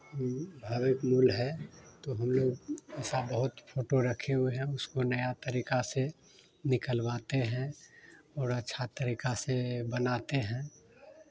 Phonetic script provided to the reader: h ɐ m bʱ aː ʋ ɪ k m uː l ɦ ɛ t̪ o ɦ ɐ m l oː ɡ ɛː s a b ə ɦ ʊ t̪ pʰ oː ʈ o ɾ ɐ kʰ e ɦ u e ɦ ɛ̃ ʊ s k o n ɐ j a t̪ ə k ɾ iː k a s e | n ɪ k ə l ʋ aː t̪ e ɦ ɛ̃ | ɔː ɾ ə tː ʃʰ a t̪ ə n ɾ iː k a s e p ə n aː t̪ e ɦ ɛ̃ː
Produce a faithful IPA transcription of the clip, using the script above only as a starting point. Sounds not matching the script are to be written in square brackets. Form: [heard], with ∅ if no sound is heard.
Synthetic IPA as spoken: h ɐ m bʱ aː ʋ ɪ k m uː l ɦ ɛ t̪ o ɦ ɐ m l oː ɡ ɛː s a b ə ɦ ʊ t̪ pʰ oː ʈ o ɾ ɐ kʰ e ɦ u e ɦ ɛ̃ ʊ s k o n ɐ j a t̪ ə [∅] ɾ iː k a s e | n ɪ k ə l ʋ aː t̪ e ɦ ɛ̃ | ɔː ɾ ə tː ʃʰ a t̪ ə [∅] ɾ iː k a s e [b] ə n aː t̪ e ɦ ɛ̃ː